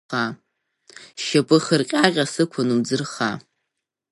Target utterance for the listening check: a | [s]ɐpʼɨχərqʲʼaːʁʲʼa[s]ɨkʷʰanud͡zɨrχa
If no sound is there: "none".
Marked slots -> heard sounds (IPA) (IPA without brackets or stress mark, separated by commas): ʃ, s